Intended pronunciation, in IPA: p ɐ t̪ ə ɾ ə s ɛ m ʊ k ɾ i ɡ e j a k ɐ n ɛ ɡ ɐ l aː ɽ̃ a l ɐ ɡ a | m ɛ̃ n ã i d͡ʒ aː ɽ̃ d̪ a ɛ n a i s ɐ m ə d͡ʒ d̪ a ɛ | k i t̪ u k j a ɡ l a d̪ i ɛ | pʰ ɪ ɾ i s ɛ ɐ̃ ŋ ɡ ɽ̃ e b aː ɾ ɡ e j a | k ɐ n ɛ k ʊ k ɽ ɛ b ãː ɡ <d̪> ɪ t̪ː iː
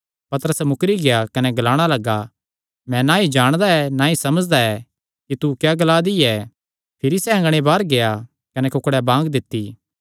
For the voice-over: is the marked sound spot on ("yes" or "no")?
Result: yes